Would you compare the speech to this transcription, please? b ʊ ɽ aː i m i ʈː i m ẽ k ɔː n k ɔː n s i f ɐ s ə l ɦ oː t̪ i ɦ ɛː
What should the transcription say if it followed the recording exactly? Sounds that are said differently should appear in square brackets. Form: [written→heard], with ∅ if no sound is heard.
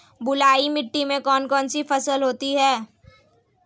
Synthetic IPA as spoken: b ʊ [ɽ→l] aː i m [i→ɪ] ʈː i m ẽ k ɔː n k ɔː n s i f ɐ s ə l ɦ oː t̪ i ɦ ɛː